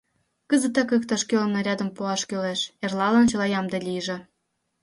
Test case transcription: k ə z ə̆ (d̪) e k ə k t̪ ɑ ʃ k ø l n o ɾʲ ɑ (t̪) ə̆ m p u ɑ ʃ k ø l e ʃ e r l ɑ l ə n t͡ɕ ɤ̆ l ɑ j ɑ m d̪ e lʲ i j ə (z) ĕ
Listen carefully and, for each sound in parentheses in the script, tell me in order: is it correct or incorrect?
incorrect, incorrect, incorrect

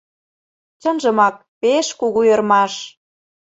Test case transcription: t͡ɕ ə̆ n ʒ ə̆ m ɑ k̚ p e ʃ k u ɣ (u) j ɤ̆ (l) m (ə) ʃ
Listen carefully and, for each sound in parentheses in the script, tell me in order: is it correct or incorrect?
correct, incorrect, incorrect

